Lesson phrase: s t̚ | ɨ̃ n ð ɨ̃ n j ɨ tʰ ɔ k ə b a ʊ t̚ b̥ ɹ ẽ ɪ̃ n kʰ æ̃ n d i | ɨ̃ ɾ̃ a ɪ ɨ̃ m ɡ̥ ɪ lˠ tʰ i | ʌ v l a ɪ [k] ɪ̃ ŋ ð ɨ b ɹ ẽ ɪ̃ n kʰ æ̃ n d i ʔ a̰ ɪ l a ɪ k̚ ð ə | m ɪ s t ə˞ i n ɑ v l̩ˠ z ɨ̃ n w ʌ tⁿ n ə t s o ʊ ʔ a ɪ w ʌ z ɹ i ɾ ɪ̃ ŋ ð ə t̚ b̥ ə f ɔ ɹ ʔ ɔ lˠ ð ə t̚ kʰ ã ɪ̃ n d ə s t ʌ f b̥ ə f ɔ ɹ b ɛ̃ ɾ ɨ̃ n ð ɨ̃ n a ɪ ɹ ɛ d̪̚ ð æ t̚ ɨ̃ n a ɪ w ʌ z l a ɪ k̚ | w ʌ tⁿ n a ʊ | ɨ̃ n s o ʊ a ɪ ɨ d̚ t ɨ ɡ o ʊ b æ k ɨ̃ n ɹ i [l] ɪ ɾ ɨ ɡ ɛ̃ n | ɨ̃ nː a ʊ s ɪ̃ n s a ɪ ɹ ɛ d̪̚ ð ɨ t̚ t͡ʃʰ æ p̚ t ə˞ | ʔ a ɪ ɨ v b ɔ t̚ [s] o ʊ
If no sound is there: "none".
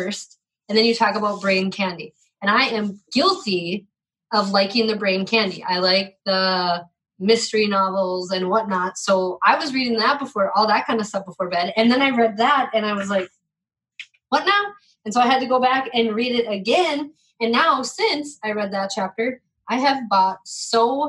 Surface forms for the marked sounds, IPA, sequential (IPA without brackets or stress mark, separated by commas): k, ɾ, s